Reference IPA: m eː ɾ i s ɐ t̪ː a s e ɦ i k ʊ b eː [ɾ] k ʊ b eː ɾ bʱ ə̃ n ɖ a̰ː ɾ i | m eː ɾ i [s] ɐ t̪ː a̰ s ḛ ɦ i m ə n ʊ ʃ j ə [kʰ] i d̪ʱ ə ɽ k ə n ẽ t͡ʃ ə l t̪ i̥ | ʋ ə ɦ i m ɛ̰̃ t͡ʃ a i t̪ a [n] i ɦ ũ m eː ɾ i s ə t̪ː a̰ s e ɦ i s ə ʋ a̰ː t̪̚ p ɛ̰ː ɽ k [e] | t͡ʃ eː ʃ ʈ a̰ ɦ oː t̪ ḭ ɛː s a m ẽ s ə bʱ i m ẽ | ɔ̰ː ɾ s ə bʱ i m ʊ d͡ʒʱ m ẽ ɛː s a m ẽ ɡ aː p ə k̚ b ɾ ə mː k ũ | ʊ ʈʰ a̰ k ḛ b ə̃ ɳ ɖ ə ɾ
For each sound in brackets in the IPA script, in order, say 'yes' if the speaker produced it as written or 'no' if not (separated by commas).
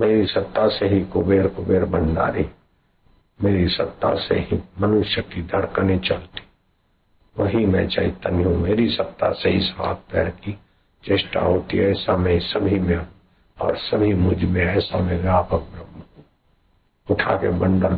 yes, yes, no, yes, no